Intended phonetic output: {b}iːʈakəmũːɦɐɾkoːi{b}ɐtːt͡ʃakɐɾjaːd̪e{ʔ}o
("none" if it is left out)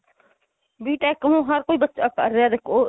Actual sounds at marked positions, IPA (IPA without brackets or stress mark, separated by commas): b, b, k